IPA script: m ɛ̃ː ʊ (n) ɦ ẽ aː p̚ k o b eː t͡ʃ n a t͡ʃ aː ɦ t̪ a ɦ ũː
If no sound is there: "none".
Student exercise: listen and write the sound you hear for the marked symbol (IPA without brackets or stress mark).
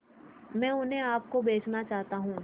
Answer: n